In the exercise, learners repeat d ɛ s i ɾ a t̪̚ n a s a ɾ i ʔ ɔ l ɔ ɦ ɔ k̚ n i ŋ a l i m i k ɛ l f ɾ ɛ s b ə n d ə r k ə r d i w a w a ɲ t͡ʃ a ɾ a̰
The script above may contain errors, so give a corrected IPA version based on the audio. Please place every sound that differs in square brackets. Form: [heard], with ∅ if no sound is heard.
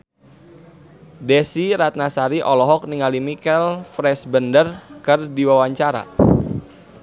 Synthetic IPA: d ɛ s i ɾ a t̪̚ n a s a ɾ i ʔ ɔ l ɔ ɦ ɔ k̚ n i ŋ a l i m i k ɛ l f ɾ ɛ s b ə n d ə r k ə r d i w a w a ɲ t͡ʃ a ɾ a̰